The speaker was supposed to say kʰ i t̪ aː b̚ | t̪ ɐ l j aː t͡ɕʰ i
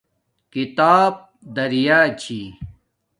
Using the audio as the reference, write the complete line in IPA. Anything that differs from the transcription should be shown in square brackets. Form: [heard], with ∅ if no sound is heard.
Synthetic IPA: [k] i t̪ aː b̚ | [d̪] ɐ [ɾ] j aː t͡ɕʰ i